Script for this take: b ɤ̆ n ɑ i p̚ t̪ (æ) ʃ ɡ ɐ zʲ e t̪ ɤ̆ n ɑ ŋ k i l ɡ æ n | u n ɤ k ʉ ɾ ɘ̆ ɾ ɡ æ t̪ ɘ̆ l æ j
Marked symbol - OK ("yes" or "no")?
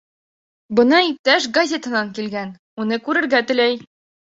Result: yes